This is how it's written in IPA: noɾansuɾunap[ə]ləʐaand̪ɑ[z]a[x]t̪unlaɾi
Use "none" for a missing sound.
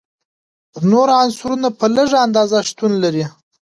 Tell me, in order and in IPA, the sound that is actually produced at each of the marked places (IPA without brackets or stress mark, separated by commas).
ə, z, ʂ